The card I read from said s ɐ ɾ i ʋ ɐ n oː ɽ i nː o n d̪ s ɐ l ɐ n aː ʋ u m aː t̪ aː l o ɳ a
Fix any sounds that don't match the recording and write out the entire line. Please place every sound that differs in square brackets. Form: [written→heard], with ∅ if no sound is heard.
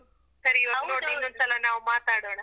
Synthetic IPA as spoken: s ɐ ɾ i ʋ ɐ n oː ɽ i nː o n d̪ s ɐ l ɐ n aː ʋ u m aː t̪ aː [l→ɽ] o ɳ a